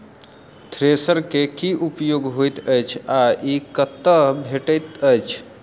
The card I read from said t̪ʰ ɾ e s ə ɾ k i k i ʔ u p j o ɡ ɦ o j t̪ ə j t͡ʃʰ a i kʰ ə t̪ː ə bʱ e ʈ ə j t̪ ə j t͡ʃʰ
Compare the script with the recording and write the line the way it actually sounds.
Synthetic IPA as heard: t̪ʰ ɾ e s ə ɾ k e k i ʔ u p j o ɡ ɦ o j t̪ ə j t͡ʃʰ a i k ə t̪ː ə bʱ e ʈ ə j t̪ ə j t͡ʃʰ